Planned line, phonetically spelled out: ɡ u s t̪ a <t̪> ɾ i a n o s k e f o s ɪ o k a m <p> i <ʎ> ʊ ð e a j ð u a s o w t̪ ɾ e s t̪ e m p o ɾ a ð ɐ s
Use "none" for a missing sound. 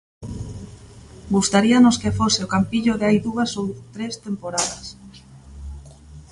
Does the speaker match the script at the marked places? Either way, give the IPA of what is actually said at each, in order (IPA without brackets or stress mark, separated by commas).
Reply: none, p, ʎ